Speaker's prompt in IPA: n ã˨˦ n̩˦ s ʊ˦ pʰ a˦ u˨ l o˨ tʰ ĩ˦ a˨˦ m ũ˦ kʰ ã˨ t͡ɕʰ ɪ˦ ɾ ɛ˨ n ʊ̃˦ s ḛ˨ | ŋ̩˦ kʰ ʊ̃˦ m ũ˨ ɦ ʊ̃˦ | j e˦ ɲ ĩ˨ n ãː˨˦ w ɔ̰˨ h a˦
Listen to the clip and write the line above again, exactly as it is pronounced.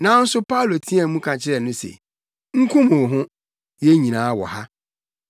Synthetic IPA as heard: n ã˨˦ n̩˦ s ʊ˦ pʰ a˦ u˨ l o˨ tʰ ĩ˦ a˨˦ m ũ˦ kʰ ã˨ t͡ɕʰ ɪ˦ ɾ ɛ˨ n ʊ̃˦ s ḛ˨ | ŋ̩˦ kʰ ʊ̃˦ m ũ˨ ɦ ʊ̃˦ | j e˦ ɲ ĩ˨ n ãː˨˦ w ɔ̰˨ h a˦